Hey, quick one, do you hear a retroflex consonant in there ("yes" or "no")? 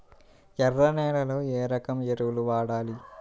yes